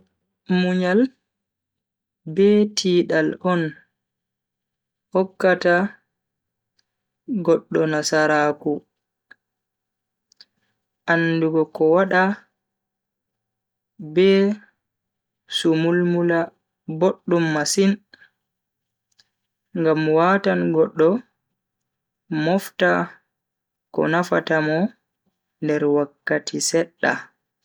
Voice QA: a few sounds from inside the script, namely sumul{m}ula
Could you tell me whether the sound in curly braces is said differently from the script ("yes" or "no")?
no